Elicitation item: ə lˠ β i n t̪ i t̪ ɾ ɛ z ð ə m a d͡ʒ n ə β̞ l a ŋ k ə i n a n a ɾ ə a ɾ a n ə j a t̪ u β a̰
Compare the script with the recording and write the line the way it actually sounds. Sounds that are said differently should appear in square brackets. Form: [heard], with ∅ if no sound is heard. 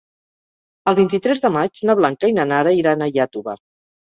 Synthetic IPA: ə lˠ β i n t̪ i t̪ ɾ ɛ z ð ə m a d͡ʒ n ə β̞ l a ŋ k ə i n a n a ɾ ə [i] ɾ a n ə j a t̪ u β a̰